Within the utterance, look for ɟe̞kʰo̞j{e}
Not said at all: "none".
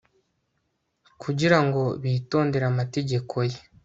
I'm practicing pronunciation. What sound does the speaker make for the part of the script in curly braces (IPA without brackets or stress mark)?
e